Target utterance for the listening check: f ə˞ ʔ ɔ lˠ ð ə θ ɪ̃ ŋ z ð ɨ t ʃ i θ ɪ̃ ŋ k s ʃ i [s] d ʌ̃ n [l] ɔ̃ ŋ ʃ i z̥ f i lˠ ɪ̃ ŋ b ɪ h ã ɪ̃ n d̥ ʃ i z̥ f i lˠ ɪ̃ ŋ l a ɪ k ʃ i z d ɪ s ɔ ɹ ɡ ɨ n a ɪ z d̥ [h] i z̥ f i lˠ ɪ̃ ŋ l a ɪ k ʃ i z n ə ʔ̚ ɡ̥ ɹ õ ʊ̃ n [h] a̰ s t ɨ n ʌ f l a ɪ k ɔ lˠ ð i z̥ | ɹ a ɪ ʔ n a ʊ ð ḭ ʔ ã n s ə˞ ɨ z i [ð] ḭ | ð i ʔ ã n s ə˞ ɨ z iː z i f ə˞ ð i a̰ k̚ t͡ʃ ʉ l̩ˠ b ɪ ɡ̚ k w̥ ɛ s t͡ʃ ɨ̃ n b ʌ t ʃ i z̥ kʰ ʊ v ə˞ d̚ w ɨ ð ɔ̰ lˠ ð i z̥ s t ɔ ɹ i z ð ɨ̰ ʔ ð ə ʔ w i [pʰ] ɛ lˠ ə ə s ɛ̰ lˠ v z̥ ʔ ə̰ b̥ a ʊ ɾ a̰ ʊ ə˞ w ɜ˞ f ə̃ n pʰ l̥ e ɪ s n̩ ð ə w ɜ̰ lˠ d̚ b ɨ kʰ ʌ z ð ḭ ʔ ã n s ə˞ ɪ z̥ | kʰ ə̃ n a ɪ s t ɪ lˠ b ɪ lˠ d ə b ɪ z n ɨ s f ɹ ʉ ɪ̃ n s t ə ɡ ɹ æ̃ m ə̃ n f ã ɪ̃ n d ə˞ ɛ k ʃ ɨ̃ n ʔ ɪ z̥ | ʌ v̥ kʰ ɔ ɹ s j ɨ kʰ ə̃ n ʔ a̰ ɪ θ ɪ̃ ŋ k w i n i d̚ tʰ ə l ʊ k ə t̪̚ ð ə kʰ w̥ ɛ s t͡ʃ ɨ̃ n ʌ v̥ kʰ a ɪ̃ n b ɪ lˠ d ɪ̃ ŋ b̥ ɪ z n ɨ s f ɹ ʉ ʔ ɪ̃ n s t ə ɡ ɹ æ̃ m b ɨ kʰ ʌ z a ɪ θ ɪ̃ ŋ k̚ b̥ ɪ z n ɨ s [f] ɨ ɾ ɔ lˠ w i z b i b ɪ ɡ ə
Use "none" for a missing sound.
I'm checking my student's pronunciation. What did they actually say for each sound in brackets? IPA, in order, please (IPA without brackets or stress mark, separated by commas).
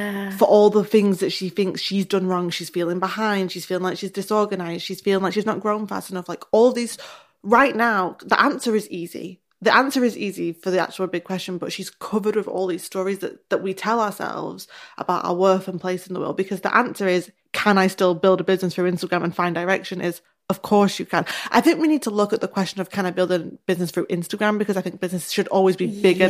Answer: z, ɹ, ʃ, f, z, tʰ, ʃ